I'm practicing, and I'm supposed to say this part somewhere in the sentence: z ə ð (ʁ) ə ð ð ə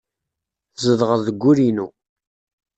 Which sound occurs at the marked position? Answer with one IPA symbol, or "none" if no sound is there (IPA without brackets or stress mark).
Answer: ʁ